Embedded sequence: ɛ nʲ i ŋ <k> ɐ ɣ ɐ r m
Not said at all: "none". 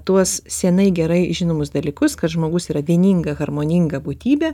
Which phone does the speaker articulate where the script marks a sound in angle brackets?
ɡ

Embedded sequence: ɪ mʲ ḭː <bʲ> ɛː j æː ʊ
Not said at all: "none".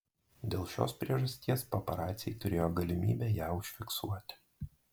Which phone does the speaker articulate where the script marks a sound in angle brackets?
bʲ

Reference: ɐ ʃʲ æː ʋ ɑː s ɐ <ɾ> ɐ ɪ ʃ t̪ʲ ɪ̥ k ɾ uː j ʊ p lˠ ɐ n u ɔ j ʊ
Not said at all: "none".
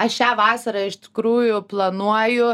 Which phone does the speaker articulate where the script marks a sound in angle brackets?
ɾ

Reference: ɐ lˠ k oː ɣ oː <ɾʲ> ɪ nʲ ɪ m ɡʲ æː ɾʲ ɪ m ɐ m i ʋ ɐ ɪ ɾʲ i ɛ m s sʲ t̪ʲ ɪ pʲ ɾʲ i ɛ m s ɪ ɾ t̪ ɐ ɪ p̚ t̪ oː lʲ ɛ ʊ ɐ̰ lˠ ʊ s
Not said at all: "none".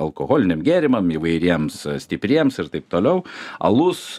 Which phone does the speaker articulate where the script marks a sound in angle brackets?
lʲ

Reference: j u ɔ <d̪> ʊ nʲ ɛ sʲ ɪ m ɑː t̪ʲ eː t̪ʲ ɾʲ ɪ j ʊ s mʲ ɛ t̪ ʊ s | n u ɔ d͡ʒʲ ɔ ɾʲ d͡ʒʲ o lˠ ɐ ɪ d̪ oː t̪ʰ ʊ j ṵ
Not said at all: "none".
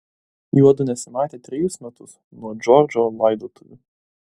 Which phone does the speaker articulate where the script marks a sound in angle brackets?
d̪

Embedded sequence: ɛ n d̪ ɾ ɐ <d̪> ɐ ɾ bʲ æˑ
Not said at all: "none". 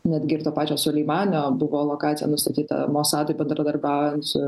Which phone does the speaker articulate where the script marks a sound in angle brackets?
d̪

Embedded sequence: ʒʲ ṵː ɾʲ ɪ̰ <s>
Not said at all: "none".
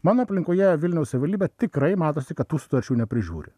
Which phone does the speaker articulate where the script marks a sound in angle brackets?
none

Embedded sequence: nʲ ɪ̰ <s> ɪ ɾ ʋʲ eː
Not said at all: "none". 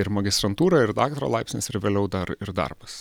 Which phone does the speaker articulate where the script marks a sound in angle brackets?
s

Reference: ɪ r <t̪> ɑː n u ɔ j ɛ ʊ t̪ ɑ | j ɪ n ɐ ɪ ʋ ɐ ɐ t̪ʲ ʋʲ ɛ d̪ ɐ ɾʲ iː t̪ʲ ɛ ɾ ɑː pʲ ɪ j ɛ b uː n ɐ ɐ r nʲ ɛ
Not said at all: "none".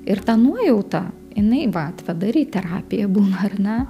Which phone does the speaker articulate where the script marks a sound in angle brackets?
t̪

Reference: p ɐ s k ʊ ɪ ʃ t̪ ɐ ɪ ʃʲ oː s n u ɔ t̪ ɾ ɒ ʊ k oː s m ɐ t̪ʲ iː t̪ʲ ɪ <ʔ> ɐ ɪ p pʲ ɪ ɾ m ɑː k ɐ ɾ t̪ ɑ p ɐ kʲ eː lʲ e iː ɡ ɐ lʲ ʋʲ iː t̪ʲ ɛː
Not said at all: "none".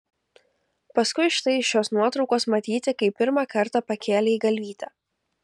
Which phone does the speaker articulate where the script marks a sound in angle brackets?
k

